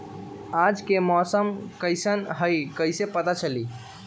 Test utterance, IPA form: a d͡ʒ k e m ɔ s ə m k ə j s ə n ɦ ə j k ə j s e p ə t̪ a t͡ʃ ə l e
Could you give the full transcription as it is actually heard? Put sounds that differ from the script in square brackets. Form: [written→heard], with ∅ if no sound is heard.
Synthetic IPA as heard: a d͡ʒ k e m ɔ s ə m k ə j s ə n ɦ ə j k ə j s e p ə t̪ a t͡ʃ ə l [e→i]